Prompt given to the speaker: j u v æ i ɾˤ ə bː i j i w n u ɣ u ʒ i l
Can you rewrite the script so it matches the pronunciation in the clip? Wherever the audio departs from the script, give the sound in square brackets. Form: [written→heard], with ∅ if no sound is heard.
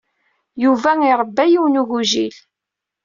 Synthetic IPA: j u v æ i ɾˤ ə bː [i→æ] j i w n u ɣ u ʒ i l